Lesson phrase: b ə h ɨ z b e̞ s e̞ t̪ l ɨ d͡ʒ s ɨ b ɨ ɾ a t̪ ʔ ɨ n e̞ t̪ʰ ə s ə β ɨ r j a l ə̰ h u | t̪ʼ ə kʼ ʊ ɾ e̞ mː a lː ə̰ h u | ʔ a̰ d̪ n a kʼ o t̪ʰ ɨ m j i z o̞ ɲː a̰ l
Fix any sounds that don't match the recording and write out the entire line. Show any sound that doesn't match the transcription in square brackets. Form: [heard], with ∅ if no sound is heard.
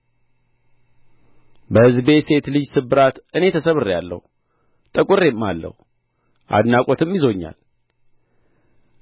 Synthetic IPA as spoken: b ə h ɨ z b e̞ s e̞ t̪ l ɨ d͡ʒ s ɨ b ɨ ɾ a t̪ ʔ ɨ n e̞ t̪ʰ ə s ə β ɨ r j a [lː] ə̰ h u | t̪ʼ ə kʼ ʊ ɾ e̞ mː a lː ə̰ h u | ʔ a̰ d̪ n a kʼ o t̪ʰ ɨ m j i z o̞ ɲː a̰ l